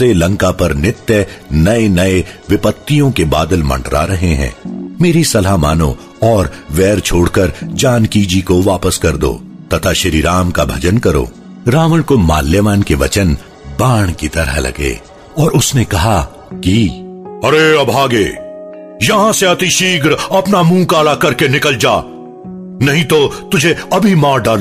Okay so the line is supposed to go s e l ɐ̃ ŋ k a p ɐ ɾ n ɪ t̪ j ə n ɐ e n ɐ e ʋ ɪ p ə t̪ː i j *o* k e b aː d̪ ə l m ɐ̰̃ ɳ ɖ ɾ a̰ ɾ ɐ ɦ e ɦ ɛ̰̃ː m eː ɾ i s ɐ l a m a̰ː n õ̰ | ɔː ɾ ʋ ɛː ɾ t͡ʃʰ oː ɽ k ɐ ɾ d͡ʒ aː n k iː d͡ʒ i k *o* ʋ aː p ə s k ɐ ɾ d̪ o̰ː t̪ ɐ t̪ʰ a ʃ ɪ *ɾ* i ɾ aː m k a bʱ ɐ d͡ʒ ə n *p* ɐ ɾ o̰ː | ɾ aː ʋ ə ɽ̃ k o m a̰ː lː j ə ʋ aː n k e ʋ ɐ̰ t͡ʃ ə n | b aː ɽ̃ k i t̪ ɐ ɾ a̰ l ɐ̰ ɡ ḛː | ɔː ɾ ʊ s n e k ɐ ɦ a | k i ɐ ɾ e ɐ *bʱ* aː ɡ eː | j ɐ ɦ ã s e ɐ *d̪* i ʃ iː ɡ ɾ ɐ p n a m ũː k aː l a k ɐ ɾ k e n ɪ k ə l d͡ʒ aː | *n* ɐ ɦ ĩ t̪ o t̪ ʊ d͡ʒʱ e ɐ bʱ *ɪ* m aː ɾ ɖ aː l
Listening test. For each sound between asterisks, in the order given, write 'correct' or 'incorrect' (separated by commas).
incorrect, correct, correct, incorrect, correct, incorrect, correct, incorrect